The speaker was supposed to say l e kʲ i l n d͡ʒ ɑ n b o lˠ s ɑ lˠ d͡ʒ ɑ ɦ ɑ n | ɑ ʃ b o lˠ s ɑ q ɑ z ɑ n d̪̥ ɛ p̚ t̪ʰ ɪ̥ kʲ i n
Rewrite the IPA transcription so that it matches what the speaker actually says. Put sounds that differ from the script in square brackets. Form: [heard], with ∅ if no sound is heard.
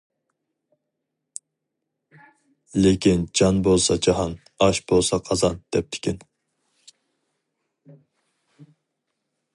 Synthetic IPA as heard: l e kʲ i [∅] n d͡ʒ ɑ n b o lˠ s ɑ [∅] d͡ʒ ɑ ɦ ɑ n | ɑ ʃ b o lˠ s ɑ [qʰ] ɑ z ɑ n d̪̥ ɛ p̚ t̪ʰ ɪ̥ kʲ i n